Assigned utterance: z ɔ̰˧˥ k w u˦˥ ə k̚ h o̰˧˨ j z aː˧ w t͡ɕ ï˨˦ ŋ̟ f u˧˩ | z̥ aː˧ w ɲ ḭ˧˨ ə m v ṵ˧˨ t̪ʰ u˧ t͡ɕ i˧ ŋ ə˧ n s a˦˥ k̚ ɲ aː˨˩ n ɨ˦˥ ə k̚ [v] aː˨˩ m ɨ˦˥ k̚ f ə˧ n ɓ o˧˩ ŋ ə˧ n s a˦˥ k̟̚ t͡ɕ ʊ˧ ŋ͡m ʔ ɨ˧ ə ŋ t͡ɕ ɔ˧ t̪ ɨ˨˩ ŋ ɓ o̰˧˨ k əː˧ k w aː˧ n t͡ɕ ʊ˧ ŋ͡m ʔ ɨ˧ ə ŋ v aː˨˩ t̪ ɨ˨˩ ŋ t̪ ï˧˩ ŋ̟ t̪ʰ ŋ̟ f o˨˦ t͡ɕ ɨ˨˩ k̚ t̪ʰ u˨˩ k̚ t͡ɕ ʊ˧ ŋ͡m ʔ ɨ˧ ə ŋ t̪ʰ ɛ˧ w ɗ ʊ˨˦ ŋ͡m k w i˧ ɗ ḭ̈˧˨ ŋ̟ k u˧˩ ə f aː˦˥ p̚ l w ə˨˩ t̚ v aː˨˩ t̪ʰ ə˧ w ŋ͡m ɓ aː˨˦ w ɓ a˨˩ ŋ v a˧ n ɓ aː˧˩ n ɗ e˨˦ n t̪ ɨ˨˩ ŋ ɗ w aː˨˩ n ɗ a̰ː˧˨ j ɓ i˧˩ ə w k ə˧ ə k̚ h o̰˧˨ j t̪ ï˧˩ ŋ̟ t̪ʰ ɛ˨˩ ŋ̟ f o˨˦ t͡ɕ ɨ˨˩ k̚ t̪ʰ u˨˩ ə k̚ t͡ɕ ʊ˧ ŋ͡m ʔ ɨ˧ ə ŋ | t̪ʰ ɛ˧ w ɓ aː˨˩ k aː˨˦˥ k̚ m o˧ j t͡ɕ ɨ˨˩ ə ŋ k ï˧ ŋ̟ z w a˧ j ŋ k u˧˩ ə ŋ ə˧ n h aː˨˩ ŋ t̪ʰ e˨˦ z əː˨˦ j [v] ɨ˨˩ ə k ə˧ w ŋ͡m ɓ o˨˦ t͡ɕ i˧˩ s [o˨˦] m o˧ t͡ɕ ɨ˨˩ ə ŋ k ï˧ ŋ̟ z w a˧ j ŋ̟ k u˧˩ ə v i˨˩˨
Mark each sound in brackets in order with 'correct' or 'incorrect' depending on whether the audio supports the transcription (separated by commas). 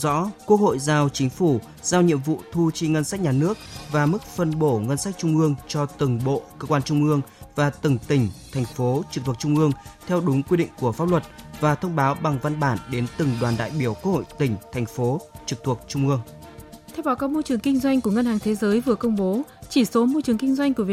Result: correct, correct, correct